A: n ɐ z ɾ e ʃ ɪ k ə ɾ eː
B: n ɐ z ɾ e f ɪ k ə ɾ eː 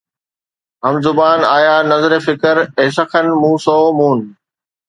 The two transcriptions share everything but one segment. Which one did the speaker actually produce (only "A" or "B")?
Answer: B